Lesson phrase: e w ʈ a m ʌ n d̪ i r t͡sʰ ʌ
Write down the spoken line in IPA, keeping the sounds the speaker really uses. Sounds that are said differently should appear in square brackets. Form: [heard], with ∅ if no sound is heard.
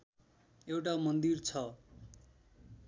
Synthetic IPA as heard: e w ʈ a m ʌ n d̪ i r t͡sʰ ʌ